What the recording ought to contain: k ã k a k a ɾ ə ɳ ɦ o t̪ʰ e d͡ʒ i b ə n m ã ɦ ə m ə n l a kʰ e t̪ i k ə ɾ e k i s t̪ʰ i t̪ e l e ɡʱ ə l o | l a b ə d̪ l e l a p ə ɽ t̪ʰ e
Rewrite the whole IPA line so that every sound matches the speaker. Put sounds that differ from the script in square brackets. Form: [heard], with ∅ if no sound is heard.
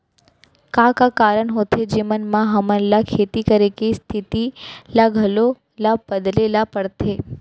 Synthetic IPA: k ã k a k a ɾ ə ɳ ɦ o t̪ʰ e d͡ʒ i [m] ə n m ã ɦ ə m ə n l a kʰ e t̪ i k ə ɾ e k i s t̪ʰ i t̪ [i] l [a] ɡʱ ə l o | l a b ə d̪ l e l a p ə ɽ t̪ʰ e